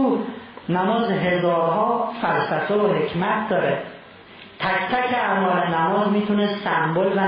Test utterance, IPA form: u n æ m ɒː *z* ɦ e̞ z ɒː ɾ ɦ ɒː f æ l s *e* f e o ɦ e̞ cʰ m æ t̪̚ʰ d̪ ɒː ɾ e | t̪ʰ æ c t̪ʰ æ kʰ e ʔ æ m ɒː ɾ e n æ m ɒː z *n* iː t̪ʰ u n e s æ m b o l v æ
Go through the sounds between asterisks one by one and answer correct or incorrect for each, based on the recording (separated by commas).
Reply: correct, incorrect, incorrect